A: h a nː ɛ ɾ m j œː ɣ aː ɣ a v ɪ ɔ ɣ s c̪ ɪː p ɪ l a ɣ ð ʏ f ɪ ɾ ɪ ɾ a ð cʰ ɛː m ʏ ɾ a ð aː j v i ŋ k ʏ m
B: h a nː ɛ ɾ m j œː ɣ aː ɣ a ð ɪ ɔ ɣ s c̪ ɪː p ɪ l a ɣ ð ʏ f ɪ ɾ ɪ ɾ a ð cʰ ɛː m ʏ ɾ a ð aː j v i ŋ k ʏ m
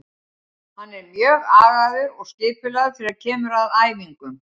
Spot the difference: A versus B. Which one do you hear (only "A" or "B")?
B